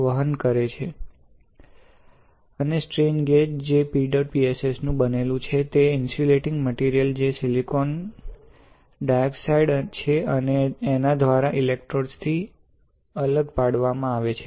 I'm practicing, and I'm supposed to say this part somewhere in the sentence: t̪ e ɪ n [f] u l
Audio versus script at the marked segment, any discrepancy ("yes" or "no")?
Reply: yes